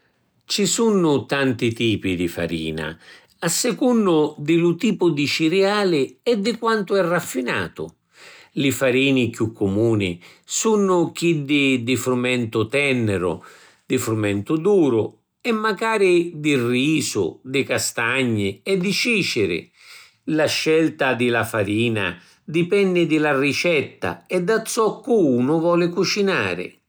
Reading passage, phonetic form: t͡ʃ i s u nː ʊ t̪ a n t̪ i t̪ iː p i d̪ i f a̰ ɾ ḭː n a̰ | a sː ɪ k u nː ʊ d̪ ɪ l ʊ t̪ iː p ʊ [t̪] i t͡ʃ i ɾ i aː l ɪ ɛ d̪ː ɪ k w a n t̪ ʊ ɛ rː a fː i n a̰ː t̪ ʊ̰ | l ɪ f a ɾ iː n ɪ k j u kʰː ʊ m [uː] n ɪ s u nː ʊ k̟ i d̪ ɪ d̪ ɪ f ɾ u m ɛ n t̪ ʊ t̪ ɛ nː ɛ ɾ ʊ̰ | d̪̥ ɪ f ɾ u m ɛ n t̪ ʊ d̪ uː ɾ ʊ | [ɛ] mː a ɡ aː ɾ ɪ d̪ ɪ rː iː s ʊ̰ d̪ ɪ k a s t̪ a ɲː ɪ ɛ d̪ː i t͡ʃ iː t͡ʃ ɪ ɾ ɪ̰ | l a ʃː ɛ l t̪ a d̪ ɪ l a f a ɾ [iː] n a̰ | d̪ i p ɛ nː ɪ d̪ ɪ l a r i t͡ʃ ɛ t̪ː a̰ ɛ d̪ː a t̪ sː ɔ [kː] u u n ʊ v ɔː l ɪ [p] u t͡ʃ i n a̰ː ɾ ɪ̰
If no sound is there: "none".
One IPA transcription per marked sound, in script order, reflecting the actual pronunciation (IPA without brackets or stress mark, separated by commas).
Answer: d̪, uː, ɛ, iː, kː, k